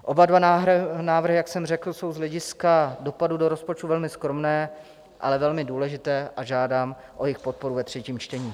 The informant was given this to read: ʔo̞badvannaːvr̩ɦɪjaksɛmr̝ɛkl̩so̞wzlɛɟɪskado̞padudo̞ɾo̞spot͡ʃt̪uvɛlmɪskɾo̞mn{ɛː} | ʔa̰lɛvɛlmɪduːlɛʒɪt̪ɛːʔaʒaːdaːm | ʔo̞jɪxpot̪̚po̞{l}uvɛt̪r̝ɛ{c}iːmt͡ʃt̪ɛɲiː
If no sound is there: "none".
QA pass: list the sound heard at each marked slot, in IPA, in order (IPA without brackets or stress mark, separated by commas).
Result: ɛː, ɾ, c